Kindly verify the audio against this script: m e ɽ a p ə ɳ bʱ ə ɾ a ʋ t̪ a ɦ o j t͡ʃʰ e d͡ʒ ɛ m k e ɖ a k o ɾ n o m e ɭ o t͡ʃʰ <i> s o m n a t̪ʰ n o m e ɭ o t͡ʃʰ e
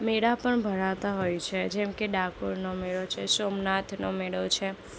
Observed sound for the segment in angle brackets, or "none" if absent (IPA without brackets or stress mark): e